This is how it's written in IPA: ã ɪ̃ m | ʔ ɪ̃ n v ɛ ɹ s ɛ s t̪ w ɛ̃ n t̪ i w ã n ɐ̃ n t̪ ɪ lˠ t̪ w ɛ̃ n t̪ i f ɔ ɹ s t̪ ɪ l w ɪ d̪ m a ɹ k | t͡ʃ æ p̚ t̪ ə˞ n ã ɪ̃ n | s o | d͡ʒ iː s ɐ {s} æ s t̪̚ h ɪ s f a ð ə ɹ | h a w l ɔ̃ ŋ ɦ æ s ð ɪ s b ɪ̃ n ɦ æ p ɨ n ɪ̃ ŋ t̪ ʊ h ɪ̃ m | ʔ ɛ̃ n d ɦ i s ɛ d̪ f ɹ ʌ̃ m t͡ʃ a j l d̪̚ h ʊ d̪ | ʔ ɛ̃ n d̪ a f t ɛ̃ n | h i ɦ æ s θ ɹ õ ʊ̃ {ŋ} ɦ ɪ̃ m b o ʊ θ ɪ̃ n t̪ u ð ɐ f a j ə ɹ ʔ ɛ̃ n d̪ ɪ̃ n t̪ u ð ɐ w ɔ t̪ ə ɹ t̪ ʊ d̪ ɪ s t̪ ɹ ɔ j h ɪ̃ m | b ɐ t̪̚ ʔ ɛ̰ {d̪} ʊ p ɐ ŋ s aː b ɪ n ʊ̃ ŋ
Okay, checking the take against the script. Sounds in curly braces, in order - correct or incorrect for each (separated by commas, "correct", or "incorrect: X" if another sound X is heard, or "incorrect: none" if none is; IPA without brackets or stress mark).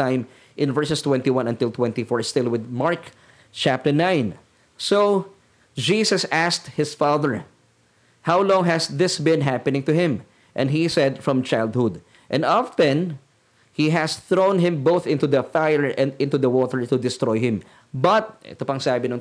correct, incorrect: n, incorrect: t̪